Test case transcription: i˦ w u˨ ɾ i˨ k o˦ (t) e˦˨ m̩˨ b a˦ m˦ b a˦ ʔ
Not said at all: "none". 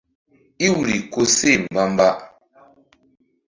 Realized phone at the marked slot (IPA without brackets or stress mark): s